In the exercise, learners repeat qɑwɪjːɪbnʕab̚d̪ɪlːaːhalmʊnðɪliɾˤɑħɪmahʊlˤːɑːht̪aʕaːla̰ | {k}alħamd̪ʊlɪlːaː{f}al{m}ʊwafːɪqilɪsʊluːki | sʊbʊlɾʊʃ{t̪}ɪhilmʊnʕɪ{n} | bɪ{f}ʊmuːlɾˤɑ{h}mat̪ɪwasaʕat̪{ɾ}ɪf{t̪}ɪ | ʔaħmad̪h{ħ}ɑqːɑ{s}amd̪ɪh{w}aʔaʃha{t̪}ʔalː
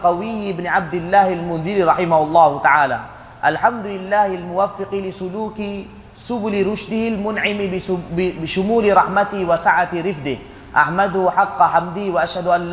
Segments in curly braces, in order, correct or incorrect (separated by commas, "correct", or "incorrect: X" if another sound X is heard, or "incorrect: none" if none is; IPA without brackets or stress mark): incorrect: ʔ, incorrect: h, correct, incorrect: d̪, incorrect: m, incorrect: ʃ, incorrect: ħ, correct, incorrect: d̪, correct, incorrect: ħ, correct, incorrect: d̪